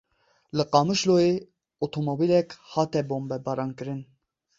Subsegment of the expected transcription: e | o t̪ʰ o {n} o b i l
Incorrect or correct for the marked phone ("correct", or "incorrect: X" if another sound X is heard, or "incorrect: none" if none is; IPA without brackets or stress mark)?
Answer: incorrect: m